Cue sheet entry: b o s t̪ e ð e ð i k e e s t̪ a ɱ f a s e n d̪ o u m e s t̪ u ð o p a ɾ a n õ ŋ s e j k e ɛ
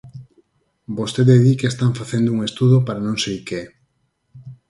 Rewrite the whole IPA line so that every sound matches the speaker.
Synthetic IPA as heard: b o s t̪ e ð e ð i k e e s t̪ a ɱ f a θ e n d̪ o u ŋ e s t̪ u ð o p a ɾ a n õ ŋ s e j k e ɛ